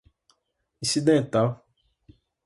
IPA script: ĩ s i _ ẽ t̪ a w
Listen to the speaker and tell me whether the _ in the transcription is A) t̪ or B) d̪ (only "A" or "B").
B